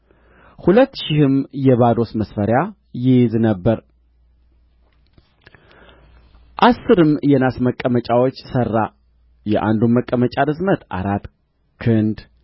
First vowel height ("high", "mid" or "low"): high